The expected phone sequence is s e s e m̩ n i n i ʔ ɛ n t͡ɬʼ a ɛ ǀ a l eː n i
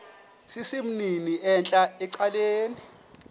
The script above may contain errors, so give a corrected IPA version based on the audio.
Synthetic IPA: s i s i m̩ n i n i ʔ ɛ n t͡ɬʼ a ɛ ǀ a l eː n i